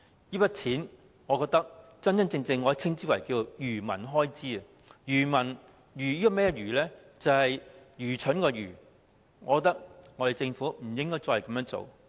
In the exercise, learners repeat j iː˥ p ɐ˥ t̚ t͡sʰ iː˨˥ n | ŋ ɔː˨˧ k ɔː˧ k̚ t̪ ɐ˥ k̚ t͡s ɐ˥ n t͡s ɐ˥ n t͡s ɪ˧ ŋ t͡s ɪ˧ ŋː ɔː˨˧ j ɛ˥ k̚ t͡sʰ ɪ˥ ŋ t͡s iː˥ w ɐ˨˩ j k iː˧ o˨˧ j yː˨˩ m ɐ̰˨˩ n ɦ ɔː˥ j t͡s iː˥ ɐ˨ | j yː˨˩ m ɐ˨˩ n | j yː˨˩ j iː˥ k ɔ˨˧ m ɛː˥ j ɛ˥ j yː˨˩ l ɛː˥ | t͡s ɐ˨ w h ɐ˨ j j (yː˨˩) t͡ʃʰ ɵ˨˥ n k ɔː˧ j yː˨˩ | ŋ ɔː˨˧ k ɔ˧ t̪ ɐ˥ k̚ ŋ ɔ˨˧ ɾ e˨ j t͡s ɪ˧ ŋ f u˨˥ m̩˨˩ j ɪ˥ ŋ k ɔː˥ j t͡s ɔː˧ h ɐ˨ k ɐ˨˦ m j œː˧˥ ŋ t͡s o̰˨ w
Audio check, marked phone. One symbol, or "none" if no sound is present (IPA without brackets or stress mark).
yː˨˩